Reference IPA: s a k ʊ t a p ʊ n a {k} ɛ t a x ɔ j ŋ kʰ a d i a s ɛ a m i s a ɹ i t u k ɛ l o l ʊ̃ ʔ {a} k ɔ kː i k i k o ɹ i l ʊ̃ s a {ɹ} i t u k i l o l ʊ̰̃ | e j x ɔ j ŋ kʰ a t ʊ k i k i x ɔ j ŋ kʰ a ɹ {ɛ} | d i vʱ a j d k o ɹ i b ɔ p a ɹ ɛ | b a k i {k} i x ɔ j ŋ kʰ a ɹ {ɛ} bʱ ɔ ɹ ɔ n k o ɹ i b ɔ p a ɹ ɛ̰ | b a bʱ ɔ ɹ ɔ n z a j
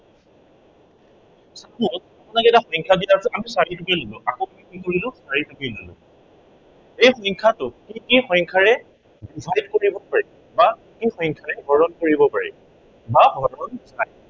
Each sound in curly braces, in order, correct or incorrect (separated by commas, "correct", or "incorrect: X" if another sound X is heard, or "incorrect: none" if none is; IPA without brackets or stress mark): correct, correct, correct, correct, correct, correct